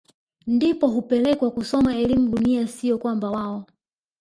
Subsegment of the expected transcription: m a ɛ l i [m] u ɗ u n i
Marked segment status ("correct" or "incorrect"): correct